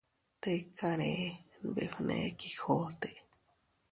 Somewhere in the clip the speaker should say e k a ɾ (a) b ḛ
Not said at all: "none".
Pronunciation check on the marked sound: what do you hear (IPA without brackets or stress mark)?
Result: e